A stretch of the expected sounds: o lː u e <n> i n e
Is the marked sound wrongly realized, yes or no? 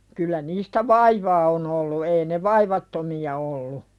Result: yes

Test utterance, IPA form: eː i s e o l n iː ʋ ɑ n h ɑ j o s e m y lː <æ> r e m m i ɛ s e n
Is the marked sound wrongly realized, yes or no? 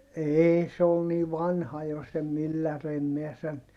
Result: no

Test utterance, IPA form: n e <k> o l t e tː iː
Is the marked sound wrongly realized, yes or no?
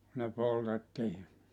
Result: yes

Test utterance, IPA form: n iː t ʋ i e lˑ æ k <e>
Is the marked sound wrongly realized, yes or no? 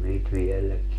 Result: yes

